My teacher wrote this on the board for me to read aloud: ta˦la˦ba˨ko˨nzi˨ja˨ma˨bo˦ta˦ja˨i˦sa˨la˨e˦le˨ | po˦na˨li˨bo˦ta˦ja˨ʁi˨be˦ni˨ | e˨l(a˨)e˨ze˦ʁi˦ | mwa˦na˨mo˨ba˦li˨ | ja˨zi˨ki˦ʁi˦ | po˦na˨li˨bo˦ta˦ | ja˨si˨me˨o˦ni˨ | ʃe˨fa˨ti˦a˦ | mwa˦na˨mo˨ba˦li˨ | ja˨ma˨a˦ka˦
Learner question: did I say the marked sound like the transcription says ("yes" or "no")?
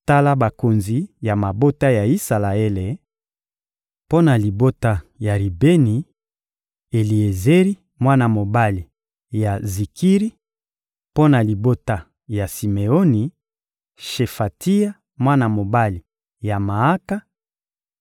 no